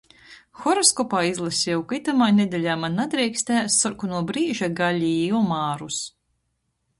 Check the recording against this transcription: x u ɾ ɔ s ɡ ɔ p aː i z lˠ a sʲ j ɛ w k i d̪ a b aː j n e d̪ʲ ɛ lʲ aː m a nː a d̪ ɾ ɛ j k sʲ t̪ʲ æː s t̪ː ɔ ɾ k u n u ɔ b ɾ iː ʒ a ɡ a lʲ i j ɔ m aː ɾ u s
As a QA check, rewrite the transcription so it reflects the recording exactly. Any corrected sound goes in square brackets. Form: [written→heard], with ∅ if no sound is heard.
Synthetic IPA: x [u→ɔ] ɾ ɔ s [ɡ→k] ɔ p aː i z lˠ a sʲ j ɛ w k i [d̪→t̪] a [b→m] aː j n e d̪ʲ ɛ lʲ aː m a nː a d̪ ɾ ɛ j k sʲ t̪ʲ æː s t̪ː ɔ ɾ k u n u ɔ b ɾ iː ʒ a ɡ a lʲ i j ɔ m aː ɾ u s

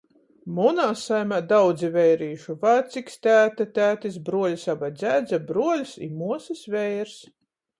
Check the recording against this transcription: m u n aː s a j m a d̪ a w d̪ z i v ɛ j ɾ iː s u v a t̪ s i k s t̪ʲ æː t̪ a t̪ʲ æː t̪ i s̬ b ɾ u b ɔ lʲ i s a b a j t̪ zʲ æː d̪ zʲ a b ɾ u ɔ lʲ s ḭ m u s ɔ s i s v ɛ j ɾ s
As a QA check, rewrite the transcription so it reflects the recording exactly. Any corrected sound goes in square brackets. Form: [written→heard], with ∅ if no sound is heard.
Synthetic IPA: m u n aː s a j m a d̪ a w d̪ z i v ɛ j ɾ iː [s→ʃ] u v a t̪ s i k s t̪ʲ æː t̪ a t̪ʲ æː t̪ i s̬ b ɾ u [b→∅] ɔ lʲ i s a b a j [t̪→d̪] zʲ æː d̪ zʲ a b ɾ u ɔ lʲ s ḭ m u [s→∅] ɔ s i s v ɛ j ɾ s

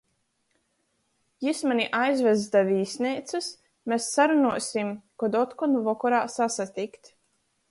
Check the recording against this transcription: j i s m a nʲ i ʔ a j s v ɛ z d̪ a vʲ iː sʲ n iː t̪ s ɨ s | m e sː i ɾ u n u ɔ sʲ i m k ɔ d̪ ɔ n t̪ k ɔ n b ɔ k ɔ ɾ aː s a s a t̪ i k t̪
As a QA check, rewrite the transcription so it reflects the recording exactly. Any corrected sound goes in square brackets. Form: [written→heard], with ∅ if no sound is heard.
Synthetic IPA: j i s m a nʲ i ʔ a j [s→z] v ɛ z d̪ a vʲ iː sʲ n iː t̪ s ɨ s | m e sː [i→a] ɾ u n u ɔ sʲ i m k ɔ d̪ ɔ [n→∅] t̪ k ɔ n [b→v] ɔ k ɔ ɾ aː s a s a t̪ i k t̪

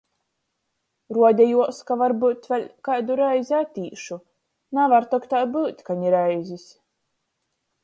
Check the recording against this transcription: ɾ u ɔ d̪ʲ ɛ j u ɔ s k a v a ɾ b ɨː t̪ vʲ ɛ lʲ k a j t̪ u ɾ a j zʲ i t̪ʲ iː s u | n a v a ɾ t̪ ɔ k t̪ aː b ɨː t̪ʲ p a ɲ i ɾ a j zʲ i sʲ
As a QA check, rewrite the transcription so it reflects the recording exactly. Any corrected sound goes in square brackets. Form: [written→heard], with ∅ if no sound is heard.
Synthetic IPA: ɾ u ɔ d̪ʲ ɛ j u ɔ s k a v a ɾ b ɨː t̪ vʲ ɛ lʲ k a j [t̪→d̪] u ɾ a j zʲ [i→a] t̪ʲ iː [s→ʃ] u | n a v a ɾ t̪ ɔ k t̪ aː b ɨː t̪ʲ [p→k] a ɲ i ɾ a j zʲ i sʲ

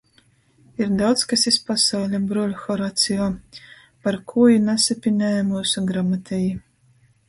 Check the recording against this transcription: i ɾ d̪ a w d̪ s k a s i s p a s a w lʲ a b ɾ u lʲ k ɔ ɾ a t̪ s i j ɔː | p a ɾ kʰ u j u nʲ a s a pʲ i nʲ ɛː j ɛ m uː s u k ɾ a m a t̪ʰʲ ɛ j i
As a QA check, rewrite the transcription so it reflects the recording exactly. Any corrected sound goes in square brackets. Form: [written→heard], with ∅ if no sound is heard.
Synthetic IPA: i ɾ d̪ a w [d̪→t̪] s k a s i s p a s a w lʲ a b ɾ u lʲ [k→x] ɔ ɾ a t̪ s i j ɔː | p a ɾ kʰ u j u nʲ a s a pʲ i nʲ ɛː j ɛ m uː s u [k→ɡ] ɾ a m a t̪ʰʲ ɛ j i

